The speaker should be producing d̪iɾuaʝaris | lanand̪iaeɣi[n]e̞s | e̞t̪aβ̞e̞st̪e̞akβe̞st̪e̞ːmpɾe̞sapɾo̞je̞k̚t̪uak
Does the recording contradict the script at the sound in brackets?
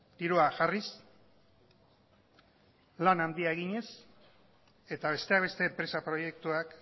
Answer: yes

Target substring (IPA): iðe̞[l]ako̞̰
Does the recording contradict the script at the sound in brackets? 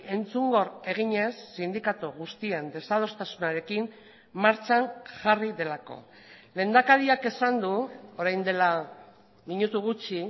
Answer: no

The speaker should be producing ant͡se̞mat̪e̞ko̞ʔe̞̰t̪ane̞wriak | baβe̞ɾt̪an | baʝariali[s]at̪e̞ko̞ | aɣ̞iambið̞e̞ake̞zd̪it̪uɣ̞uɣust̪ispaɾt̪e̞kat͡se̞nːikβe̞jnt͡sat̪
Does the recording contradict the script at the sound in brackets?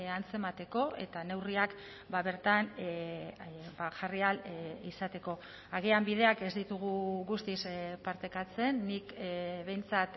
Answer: no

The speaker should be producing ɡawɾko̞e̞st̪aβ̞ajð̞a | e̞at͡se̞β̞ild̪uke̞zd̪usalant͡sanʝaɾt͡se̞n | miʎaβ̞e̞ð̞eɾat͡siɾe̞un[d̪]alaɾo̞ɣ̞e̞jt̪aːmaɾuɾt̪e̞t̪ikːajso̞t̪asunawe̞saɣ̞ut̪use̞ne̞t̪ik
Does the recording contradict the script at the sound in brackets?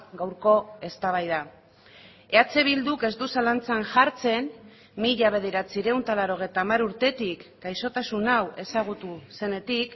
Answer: yes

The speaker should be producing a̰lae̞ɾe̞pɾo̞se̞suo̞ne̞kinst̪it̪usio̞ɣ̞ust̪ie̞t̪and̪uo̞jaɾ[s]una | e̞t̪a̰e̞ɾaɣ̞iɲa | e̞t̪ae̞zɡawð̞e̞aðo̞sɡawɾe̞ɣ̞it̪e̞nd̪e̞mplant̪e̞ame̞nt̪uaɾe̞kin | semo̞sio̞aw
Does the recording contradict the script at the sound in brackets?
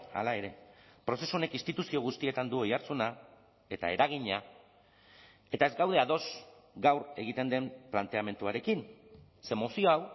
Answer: yes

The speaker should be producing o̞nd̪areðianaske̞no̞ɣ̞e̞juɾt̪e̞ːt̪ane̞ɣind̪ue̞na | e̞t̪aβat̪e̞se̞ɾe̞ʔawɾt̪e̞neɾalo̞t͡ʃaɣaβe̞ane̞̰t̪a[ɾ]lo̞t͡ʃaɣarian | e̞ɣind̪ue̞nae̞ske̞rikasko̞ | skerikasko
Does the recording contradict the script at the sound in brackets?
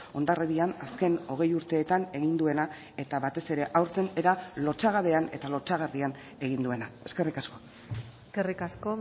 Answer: yes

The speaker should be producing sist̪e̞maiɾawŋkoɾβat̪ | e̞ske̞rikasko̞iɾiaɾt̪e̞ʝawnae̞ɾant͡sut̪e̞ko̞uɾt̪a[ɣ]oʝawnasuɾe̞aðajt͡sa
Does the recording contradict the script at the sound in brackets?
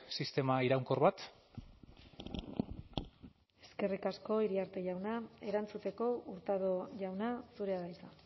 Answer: yes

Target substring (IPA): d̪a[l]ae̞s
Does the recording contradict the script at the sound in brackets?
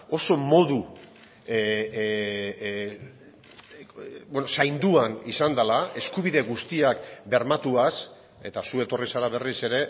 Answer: no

